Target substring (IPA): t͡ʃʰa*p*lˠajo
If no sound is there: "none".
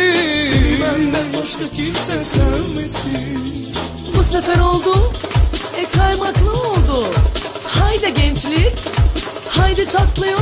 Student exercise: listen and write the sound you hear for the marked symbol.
k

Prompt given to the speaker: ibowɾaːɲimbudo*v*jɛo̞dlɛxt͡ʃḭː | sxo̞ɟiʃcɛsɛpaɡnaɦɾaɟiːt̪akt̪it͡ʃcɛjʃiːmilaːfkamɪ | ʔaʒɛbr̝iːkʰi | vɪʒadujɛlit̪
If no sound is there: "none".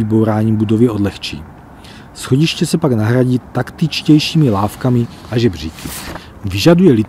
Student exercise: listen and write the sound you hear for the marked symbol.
v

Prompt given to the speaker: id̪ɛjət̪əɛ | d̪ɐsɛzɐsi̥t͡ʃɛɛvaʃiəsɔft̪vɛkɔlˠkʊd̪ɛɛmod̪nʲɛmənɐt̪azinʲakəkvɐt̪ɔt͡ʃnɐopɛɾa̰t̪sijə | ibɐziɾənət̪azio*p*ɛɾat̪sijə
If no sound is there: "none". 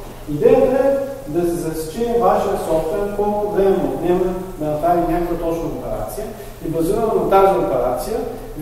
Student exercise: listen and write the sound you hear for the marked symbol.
p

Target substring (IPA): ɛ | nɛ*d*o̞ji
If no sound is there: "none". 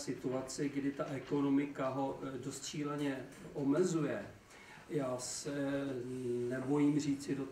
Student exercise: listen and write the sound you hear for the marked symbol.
b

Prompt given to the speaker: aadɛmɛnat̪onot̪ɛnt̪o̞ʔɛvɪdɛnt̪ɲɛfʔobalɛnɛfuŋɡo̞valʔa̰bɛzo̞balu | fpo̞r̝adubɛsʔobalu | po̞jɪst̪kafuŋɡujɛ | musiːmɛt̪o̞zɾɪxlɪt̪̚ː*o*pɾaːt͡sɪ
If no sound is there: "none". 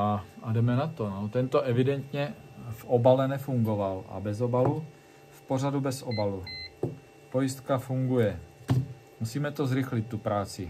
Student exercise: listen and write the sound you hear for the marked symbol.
u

